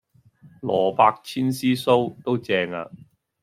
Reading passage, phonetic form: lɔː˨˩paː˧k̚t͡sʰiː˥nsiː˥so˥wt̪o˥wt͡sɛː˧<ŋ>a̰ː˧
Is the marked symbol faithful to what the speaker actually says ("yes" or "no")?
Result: yes